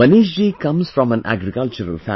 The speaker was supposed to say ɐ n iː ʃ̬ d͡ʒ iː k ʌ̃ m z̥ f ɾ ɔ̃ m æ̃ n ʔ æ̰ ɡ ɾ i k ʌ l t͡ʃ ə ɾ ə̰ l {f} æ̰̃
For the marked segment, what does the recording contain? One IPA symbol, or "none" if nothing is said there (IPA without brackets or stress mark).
f